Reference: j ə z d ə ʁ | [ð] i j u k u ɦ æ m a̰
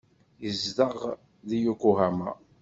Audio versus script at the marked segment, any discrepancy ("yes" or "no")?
no